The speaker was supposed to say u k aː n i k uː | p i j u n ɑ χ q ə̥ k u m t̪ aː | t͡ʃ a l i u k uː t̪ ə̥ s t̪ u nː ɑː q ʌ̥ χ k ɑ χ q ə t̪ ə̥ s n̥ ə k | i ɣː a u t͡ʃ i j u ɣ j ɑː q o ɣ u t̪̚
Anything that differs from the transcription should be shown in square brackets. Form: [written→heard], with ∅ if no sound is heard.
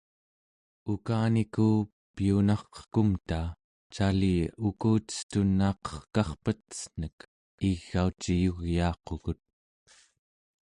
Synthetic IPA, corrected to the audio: u k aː n i k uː | p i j u n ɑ χ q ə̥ k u m t̪ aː | t͡ʃ a l i u k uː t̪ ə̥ s t̪ u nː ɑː q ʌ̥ χ k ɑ χ [q→p] ə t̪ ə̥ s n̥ ə k | i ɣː a u t͡ʃ i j u ɣ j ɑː q o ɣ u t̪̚